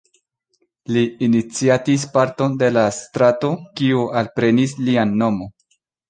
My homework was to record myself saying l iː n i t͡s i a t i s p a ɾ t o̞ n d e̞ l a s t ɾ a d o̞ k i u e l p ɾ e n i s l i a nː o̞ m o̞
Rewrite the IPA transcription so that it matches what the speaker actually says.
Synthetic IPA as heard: l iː n i t͡s i a t i s p a ɾ t o̞ n d e̞ l a s t ɾ a t o̞ k i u a l p ɾ e n i s l i a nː o̞ m o̞